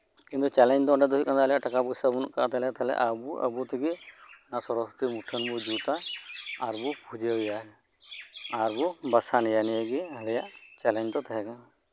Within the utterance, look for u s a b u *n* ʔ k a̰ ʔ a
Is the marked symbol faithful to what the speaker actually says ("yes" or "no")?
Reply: yes